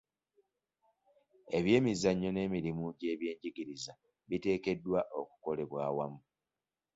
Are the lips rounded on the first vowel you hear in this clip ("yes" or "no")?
no